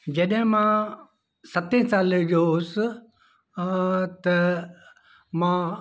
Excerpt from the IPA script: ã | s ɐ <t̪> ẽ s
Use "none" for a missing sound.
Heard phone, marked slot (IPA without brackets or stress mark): t̪